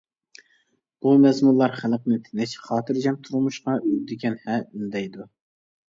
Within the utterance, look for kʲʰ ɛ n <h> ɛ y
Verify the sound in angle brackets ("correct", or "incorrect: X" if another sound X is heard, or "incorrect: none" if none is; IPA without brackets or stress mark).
correct